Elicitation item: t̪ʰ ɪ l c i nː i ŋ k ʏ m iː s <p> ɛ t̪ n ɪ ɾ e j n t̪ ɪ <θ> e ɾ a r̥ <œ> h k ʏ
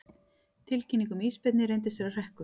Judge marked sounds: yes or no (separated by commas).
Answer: yes, no, no